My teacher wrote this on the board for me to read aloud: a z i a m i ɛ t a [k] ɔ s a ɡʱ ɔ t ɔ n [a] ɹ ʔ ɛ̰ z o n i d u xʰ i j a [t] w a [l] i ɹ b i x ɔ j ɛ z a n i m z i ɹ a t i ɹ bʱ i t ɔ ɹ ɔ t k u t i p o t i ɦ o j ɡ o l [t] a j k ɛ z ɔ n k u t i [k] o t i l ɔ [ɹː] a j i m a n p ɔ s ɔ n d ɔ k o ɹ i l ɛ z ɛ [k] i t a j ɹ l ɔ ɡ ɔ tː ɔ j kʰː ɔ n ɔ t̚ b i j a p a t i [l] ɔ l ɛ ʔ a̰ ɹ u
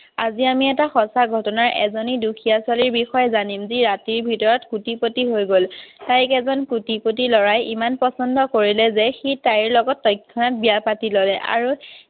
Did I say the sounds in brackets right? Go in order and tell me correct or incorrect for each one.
incorrect: x, correct, incorrect: s, correct, correct, incorrect: p, incorrect: ɹ, incorrect: x, correct

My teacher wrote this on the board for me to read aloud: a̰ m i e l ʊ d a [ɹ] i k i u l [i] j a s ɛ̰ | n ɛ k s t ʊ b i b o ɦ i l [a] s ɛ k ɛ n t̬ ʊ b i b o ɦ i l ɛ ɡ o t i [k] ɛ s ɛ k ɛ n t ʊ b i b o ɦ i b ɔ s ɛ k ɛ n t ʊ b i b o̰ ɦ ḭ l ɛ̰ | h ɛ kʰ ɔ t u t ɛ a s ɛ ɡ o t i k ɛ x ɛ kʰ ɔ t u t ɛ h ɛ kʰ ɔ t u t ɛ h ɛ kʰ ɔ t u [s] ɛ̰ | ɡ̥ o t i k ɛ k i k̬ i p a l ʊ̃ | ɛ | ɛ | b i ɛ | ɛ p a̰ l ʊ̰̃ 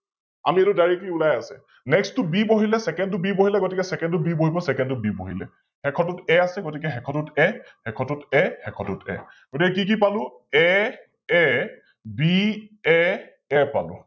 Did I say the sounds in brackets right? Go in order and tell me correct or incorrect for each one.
correct, incorrect: a, incorrect: ɛ, correct, incorrect: t

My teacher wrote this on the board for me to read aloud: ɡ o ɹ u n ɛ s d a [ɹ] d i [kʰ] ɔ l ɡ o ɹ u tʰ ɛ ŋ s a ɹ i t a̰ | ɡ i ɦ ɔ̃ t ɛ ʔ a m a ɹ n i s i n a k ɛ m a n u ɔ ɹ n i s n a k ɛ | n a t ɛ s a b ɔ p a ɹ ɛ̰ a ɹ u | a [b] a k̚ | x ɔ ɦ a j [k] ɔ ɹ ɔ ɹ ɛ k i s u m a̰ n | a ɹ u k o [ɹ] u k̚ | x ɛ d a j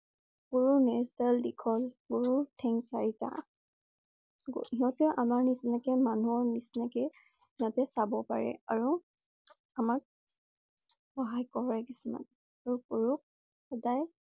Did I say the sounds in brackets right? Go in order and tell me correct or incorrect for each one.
incorrect: l, correct, incorrect: m, correct, correct

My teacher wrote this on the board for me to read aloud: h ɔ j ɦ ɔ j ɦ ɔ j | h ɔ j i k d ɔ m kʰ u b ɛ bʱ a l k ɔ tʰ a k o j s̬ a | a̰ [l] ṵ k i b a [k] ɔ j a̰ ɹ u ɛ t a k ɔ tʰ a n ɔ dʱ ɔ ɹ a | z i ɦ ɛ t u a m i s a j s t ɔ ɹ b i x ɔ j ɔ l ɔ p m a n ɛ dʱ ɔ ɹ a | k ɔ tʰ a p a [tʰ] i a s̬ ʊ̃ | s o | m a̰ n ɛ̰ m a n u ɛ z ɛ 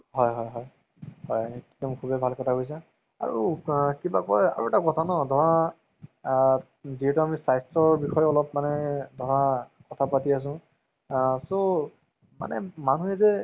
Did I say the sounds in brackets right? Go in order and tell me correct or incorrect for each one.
incorrect: ɹ, correct, incorrect: t

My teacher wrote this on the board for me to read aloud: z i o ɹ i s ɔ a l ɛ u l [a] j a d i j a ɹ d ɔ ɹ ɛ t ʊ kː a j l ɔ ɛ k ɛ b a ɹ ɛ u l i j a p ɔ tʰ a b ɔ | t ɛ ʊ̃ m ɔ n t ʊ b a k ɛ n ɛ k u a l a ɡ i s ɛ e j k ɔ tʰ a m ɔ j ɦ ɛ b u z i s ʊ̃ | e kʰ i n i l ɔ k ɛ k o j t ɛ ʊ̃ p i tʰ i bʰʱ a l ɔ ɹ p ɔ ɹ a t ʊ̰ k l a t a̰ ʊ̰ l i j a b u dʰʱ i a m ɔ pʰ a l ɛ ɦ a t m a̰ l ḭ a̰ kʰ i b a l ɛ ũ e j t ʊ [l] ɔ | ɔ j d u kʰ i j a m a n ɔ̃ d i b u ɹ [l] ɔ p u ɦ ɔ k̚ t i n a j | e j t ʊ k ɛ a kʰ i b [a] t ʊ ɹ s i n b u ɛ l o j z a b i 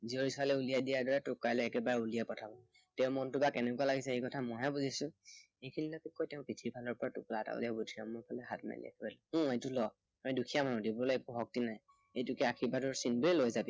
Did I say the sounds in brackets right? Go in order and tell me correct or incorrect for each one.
incorrect: i, correct, correct, correct

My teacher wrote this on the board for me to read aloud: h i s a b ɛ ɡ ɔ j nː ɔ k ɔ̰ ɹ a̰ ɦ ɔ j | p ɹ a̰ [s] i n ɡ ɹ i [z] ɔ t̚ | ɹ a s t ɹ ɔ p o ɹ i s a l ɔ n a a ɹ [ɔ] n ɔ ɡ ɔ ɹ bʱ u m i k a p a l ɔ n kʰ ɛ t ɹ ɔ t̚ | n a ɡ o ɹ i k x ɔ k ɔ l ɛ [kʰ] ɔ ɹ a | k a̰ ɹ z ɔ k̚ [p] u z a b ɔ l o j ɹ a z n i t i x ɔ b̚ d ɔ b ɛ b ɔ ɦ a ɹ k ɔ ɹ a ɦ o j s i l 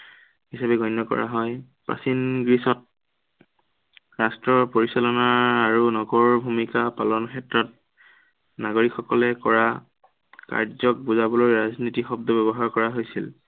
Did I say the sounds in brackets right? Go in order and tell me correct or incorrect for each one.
correct, incorrect: s, incorrect: u, incorrect: k, incorrect: b

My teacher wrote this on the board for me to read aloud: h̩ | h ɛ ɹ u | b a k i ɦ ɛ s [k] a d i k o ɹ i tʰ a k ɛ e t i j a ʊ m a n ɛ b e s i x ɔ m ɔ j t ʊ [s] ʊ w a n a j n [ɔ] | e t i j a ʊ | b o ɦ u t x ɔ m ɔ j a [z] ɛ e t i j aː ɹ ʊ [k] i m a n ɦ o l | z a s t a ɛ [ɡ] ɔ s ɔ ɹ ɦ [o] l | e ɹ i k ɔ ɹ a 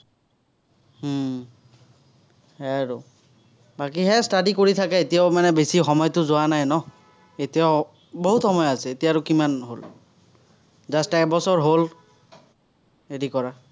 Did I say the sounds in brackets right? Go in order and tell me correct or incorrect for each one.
incorrect: t, incorrect: z, correct, incorrect: s, correct, incorrect: b, correct

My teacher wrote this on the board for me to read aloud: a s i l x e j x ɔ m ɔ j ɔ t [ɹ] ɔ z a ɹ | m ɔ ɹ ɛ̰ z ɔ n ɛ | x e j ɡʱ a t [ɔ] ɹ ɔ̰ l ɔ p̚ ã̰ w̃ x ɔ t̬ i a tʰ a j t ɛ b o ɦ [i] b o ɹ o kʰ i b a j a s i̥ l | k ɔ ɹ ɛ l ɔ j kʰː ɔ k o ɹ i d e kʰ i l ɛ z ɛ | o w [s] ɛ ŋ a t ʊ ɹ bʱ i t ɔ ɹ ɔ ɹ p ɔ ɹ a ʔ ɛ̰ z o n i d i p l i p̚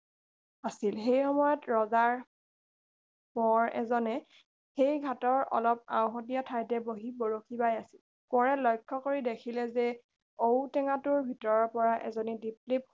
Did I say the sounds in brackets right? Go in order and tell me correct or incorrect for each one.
correct, correct, correct, incorrect: t

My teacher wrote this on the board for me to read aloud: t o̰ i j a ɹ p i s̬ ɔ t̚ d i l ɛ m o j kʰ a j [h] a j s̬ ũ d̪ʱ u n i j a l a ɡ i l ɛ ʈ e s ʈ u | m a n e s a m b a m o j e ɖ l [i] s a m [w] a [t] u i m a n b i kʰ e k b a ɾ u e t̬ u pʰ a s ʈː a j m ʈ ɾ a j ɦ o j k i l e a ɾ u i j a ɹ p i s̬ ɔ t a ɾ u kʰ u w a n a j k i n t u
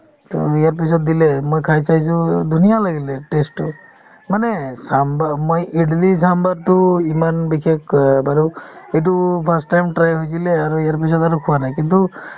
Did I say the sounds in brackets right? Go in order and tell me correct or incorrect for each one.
incorrect: s, correct, incorrect: b, correct

